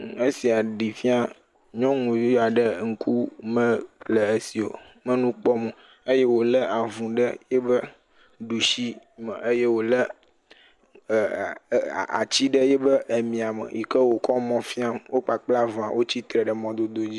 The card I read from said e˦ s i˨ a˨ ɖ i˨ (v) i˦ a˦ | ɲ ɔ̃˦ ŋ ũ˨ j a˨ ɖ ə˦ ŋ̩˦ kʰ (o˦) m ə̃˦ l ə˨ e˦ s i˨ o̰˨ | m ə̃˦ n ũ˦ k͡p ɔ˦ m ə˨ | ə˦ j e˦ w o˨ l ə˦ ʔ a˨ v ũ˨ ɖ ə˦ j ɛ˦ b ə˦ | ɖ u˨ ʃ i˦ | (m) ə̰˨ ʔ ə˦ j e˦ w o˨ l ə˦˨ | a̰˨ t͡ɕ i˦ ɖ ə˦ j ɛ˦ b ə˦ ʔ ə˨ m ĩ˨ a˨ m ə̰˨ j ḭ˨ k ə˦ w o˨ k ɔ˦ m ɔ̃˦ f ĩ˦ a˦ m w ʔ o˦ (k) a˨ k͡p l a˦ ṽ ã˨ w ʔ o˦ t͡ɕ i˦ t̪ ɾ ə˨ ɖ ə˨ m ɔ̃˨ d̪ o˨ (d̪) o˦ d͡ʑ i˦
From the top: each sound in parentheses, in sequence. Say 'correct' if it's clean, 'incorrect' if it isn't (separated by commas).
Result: incorrect, incorrect, correct, incorrect, correct